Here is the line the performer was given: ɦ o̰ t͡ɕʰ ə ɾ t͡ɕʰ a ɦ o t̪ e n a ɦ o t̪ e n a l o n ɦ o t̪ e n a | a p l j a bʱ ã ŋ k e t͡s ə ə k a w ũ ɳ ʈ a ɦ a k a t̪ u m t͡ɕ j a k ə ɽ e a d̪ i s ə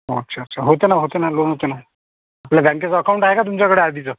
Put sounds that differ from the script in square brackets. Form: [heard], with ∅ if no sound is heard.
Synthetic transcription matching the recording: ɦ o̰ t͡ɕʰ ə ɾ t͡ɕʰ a ɦ o t̪ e n a ɦ o t̪ e n a l o n ɦ o t̪ e n a | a p l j a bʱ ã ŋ k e t͡s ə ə k a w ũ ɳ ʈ a ɦ [e] k a t̪ u m t͡ɕ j a k ə ɽ e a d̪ i [t͡s] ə